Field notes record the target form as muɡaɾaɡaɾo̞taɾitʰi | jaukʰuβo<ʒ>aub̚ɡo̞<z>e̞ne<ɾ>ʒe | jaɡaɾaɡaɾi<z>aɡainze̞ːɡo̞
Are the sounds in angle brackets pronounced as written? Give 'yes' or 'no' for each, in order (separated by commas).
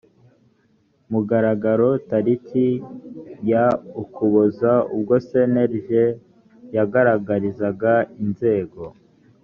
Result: no, no, yes, yes